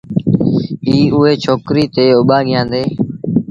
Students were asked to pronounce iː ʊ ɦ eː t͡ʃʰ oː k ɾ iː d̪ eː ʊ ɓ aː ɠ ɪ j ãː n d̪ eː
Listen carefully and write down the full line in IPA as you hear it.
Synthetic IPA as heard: iː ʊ ɦ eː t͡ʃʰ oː k ɾ iː t̪ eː ʊ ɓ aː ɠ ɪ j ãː n d̪ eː